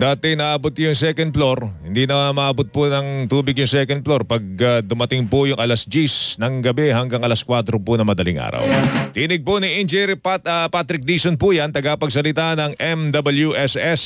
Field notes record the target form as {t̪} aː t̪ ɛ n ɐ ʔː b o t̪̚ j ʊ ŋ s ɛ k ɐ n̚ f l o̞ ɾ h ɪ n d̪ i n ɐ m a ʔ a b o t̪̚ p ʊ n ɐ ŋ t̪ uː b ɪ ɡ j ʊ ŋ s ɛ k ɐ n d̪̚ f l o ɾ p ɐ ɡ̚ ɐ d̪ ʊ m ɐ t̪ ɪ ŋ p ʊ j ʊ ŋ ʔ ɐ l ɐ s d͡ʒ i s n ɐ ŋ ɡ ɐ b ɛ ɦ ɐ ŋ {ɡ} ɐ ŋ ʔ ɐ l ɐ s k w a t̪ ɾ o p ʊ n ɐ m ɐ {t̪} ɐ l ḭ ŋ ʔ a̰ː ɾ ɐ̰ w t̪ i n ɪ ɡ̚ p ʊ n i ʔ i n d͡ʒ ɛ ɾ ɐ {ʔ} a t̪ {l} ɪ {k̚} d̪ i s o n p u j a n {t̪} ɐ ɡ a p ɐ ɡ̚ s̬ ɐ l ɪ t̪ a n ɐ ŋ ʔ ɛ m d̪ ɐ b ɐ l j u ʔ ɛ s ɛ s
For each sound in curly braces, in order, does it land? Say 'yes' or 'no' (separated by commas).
no, yes, no, no, no, yes, yes